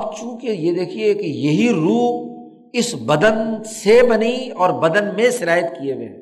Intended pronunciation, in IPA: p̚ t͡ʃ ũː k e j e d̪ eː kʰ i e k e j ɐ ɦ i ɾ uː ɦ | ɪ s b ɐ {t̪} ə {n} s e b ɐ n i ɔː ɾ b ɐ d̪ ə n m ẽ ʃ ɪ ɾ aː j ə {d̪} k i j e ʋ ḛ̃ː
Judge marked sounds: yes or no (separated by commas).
no, yes, no